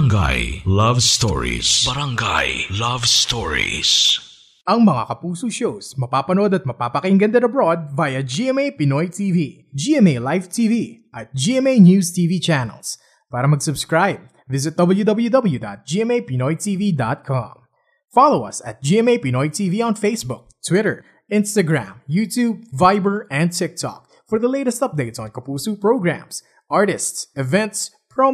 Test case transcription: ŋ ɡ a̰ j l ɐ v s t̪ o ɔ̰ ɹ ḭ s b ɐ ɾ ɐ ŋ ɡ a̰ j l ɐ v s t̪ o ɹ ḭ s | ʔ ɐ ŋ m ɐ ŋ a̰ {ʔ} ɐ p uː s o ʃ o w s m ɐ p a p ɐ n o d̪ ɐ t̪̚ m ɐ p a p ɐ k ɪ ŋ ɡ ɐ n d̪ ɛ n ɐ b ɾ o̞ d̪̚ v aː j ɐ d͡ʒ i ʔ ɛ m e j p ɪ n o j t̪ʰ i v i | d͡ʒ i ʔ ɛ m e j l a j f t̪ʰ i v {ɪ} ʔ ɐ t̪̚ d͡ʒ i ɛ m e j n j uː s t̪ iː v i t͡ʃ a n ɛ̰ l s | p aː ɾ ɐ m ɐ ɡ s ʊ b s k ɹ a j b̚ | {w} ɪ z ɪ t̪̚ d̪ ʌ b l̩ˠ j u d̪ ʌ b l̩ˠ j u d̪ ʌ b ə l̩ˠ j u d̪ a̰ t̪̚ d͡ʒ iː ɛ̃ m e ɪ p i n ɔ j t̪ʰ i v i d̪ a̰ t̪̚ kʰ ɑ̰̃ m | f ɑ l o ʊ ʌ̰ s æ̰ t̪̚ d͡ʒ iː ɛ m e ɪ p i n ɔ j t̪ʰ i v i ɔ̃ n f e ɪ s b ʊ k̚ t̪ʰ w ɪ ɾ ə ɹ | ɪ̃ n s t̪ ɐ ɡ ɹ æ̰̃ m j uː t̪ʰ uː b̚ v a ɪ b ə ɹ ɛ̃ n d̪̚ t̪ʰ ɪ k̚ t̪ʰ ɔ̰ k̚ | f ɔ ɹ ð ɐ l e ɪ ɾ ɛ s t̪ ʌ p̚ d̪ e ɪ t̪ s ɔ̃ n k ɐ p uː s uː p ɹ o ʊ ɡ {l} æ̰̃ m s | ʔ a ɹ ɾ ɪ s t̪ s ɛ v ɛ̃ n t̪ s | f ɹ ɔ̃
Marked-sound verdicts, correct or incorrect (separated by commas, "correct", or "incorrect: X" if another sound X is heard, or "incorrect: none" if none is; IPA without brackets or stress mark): incorrect: k, incorrect: i, incorrect: v, incorrect: ɹ